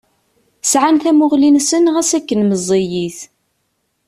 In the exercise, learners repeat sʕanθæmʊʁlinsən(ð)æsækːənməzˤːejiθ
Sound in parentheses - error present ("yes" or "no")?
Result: yes